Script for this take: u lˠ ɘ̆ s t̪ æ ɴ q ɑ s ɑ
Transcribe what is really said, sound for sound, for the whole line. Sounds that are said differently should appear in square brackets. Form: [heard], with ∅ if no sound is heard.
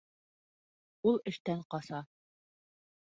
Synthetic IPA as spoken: u lˠ ɘ̆ [ʃ] t̪ æ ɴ q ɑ s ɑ